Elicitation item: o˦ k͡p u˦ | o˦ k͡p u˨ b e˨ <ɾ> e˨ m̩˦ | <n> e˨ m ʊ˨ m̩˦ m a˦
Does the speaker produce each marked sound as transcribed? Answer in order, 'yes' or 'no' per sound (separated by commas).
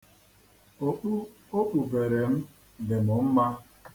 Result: yes, no